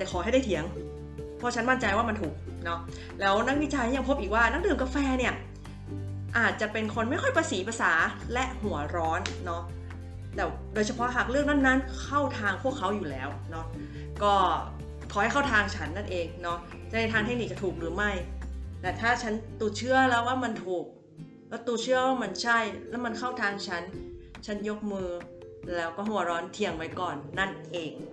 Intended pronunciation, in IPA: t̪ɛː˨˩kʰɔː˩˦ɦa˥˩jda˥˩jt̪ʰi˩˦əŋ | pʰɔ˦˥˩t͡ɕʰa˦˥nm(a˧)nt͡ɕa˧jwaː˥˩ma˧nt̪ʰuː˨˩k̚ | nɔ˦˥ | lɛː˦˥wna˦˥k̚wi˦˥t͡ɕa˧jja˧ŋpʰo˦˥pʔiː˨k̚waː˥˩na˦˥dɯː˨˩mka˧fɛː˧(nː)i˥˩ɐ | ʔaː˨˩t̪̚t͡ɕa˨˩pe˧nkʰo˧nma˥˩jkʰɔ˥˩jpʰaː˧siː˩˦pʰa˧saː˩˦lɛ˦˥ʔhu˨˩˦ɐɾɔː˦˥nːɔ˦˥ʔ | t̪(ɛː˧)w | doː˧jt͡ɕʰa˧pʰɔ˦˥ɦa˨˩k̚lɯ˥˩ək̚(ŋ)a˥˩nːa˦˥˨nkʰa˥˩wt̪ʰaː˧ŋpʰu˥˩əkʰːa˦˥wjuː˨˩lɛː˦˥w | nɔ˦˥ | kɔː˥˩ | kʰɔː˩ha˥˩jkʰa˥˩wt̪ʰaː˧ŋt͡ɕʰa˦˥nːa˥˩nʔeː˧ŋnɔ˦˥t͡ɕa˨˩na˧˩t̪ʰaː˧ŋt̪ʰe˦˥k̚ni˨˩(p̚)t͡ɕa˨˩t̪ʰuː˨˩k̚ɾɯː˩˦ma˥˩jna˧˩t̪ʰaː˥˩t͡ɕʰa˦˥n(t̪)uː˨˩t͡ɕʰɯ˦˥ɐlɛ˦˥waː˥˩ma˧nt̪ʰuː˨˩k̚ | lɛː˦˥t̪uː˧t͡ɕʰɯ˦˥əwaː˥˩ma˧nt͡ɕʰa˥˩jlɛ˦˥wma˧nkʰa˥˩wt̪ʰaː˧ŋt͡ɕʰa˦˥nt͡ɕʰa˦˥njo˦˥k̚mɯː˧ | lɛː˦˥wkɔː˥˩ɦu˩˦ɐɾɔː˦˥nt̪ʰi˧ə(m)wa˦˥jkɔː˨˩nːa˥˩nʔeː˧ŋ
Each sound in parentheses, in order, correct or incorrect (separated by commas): incorrect, incorrect, incorrect, incorrect, incorrect, correct, incorrect